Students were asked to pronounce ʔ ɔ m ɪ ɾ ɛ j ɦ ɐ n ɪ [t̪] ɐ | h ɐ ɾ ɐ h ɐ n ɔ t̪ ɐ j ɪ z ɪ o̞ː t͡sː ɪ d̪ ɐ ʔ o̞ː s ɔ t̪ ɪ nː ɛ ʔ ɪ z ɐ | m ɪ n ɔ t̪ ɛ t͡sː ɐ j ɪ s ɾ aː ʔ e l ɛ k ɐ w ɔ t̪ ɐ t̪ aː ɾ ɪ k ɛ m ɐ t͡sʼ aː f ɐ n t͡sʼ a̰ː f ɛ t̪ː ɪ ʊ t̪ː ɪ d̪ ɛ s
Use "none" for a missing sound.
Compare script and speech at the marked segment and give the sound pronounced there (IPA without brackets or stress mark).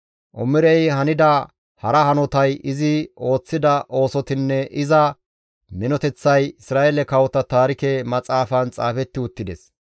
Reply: d̪